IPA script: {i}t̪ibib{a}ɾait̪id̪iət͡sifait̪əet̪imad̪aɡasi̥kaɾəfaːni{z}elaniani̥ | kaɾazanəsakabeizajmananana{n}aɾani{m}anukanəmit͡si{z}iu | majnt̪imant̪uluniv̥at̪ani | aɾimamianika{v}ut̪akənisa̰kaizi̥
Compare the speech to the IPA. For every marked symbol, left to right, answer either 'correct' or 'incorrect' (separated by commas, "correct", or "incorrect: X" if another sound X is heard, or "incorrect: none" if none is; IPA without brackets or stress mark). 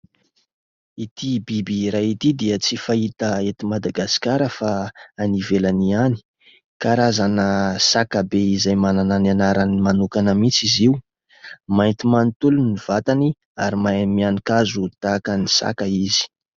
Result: correct, incorrect: i, incorrect: v, correct, correct, correct, incorrect: z